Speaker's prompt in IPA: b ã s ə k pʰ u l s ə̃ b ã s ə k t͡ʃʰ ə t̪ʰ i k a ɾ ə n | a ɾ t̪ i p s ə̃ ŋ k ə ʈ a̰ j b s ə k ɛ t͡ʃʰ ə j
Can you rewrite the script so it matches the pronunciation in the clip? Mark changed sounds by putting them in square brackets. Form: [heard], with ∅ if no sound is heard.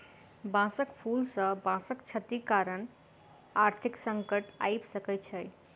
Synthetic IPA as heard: b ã s ə k pʰ u l s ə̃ b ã s ə k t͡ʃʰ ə [t̪] i k a ɾ ə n | a ɾ [t̪ʰ] i [k] s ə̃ ŋ k ə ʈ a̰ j b s ə k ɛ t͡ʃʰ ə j